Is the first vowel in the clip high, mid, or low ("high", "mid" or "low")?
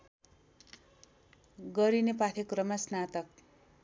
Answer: mid